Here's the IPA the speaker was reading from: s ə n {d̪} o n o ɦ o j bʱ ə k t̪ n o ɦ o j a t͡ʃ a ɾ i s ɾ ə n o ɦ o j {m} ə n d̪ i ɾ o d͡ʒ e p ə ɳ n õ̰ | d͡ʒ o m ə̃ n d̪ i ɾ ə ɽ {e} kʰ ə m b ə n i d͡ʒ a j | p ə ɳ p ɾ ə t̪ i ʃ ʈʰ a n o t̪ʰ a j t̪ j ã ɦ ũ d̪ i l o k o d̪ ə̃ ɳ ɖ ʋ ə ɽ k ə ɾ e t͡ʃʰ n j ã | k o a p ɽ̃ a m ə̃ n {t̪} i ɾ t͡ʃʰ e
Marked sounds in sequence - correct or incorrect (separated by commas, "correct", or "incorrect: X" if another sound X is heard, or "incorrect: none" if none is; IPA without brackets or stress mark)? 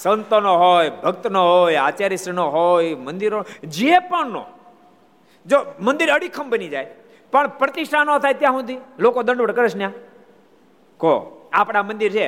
incorrect: t̪, correct, incorrect: i, incorrect: d̪